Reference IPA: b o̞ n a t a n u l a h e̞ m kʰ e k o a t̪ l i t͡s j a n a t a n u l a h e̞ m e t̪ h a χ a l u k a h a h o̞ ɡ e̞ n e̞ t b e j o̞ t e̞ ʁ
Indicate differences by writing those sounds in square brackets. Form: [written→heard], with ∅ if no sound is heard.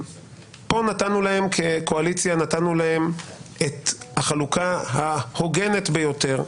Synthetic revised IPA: [b→p] o̞ n a t a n u l a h e̞ m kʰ e k o a [t̪→∅] l i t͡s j a n a t a n u l a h e̞ m e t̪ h a χ a l u k a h a h o̞ ɡ e̞ n e̞ t b e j o̞ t e̞ ʁ